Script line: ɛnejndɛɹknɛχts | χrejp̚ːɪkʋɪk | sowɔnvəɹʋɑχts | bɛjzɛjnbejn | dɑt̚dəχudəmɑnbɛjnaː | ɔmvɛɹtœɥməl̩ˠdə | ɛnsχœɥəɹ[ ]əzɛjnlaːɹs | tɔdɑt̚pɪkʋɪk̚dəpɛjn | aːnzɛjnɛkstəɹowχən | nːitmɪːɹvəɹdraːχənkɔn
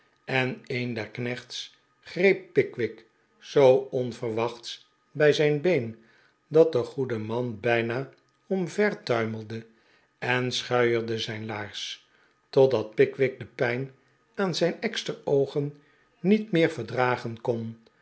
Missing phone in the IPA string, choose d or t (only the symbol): d